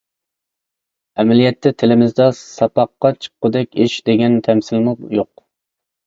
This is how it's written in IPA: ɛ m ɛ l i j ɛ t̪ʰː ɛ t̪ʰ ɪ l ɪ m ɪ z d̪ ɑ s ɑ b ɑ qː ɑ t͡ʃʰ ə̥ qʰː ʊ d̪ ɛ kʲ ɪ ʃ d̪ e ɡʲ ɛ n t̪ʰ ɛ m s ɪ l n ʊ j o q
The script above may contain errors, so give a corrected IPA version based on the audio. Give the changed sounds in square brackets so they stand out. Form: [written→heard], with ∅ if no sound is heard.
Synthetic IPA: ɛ m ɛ l i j ɛ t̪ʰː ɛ t̪ʰ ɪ l ɪ m ɪ z d̪ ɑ s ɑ [b→p] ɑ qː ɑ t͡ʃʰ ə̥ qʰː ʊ d̪ ɛ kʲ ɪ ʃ d̪ e ɡʲ ɛ n t̪ʰ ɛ m s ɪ l [n→m] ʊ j o q